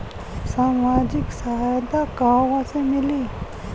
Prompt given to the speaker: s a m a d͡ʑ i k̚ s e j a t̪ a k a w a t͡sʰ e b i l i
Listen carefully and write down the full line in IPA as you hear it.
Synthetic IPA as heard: s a m a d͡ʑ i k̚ s a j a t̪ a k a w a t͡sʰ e m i l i